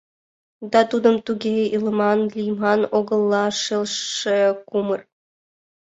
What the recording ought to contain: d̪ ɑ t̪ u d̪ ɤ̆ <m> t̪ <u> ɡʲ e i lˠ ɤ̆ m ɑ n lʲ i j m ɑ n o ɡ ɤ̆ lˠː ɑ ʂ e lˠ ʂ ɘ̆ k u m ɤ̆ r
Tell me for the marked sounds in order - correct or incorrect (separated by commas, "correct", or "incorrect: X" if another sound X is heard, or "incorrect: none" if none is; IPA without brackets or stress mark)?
correct, correct